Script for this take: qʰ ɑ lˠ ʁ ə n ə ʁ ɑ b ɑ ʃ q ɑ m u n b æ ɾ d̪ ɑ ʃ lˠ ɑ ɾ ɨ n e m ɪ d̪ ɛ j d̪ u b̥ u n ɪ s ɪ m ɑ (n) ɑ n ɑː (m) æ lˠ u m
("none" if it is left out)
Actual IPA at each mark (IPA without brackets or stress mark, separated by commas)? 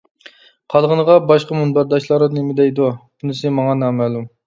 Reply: ŋ, m